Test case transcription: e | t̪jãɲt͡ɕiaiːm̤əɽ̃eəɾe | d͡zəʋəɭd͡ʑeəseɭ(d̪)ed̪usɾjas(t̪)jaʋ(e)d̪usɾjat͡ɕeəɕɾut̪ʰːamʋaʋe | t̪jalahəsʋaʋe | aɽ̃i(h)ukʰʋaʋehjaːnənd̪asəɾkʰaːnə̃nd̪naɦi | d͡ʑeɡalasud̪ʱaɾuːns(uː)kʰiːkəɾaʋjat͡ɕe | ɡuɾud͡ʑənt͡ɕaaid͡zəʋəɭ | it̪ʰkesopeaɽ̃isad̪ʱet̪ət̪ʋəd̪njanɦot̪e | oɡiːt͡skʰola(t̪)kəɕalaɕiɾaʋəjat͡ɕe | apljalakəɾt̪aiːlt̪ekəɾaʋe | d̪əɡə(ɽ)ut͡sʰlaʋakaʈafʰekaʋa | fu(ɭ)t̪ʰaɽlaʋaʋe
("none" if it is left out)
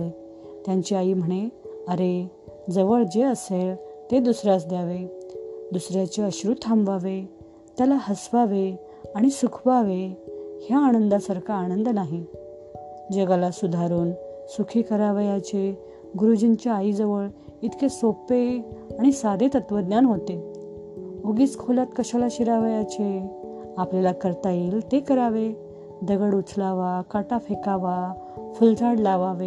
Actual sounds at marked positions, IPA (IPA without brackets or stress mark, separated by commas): t̪, d̪, e, s, u, t̪, ɽ, l